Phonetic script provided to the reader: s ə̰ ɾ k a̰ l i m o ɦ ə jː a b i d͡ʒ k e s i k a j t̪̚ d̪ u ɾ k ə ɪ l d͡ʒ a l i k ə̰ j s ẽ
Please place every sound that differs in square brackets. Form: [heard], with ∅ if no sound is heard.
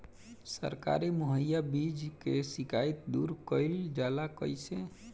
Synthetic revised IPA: s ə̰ ɾ k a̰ [ɾ] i m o ɦ ə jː a b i d͡ʒ k e s i k a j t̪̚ d̪ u ɾ k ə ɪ l d͡ʒ a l [a] k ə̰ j s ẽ